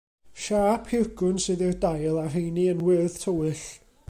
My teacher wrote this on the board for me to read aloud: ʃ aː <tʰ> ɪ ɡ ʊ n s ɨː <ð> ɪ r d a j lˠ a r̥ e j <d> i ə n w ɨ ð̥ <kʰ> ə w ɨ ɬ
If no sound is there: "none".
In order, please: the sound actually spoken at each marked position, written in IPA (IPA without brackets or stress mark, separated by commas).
pʰ, ð, n, tʰ